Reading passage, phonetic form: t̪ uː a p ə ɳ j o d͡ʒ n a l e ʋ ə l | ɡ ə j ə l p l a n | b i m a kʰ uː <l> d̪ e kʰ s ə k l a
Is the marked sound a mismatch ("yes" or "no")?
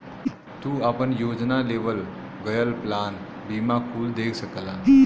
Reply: no